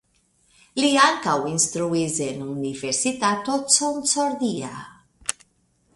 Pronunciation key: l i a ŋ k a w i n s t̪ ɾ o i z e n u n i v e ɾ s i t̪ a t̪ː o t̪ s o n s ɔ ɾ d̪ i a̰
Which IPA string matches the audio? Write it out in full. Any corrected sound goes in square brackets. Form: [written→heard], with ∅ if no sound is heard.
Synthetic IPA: l i a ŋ k a w i n s t̪ ɾ [o→u] i z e n u n i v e ɾ s i t̪ a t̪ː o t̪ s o n s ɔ ɾ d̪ i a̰